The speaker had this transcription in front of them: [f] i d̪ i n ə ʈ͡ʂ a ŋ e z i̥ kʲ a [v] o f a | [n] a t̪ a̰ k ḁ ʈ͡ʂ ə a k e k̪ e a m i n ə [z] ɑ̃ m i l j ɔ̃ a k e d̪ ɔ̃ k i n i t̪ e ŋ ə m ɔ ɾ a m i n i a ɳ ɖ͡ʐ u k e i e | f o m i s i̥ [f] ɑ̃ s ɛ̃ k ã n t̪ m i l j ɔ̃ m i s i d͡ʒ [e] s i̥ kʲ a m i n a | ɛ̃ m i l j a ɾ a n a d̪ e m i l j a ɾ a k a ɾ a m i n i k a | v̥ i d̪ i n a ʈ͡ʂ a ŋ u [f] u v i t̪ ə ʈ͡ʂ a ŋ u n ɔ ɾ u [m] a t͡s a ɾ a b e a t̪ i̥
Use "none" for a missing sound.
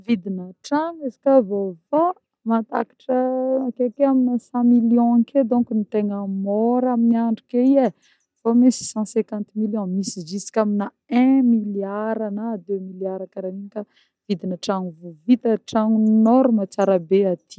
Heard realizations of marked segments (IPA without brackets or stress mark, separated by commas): v, v, m, s, s, i, v, m